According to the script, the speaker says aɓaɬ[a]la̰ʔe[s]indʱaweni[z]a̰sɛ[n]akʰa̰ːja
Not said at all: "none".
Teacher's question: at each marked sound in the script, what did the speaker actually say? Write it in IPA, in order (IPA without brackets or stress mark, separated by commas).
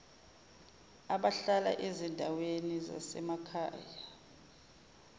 a, z, z, m